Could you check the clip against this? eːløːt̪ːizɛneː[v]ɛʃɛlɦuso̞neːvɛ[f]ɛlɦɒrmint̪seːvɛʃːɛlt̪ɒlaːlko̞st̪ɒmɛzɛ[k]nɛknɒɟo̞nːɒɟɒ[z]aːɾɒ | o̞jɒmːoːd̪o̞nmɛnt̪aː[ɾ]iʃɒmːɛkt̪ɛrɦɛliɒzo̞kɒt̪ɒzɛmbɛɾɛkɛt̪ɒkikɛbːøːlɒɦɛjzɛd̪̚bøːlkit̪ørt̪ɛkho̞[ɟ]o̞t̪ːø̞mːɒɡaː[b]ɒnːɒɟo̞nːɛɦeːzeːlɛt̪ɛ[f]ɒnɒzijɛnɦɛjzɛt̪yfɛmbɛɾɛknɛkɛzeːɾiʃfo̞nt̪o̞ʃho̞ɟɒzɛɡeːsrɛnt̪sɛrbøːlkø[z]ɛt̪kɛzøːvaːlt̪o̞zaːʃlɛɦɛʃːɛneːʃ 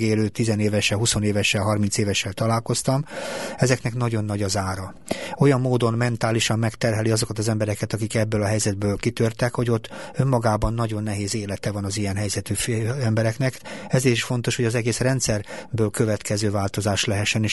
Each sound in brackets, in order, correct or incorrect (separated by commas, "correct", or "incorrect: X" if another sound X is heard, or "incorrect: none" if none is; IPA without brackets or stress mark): correct, incorrect: ʃ, correct, correct, incorrect: l, correct, correct, incorrect: v, incorrect: v